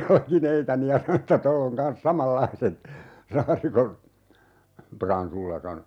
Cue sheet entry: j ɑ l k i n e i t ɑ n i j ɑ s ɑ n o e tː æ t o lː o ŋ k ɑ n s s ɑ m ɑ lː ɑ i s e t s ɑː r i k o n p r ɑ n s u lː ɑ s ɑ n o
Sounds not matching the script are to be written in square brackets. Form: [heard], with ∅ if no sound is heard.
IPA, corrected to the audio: j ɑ l k i n e i t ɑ n i j ɑ s ɑ n o e tː æ t o lː o ŋ k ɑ n s s ɑ m ɑ lː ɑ i s e t s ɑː r i k o n p r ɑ n s u lː ɑ s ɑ n o